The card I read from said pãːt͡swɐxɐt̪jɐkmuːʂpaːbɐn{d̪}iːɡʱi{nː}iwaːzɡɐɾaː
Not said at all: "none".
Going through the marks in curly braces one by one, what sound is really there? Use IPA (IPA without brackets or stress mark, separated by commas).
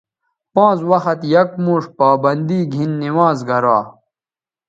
d̪, nː